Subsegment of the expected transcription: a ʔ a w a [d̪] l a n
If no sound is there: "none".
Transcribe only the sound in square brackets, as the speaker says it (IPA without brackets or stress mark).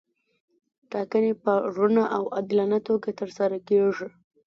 d̪